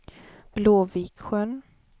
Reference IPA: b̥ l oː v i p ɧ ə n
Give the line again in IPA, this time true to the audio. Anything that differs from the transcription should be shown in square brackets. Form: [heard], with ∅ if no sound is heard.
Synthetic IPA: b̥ l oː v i [k] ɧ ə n